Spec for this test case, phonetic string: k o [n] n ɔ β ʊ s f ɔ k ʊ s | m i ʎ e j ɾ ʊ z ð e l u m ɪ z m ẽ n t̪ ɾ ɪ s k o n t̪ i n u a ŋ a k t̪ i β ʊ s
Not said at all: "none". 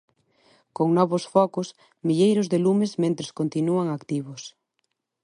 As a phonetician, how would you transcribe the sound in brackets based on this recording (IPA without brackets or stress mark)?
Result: ŋ